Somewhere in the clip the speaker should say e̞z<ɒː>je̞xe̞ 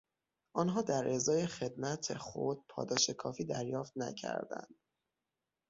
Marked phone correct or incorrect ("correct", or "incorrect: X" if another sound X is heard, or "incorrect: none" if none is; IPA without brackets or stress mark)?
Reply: correct